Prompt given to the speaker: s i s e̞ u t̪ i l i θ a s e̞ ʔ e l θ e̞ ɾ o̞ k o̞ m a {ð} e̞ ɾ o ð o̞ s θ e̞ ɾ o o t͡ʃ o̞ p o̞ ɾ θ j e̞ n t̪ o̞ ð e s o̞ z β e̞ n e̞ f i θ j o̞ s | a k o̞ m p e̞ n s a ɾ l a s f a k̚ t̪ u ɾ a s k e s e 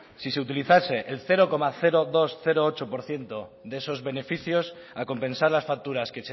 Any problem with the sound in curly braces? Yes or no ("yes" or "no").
yes